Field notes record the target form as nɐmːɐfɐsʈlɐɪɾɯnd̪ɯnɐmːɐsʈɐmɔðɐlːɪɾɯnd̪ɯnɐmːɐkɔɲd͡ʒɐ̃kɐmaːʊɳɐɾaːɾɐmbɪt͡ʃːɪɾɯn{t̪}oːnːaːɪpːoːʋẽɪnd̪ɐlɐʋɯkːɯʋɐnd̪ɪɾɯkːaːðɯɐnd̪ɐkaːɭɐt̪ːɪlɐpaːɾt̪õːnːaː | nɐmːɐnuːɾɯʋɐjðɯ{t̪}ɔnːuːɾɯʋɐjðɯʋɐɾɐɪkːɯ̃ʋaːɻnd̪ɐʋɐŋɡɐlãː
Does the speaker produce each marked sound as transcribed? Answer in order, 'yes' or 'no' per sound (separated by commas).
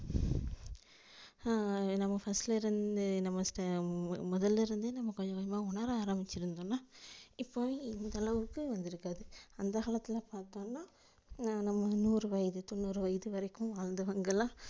no, yes